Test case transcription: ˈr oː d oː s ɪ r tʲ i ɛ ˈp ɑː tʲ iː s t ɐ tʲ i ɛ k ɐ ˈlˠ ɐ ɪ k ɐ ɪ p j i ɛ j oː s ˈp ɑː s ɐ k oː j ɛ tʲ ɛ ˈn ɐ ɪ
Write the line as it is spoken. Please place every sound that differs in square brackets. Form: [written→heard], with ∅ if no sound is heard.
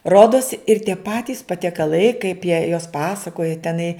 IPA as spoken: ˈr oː d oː s ɪ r tʲ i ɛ ˈp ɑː tʲ iː s [t→p] ɐ tʲ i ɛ k ɐ ˈlˠ ɐ ɪ k ɐ ɪ p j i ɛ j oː s ˈp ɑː s ɐ k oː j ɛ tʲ ɛ ˈn ɐ ɪ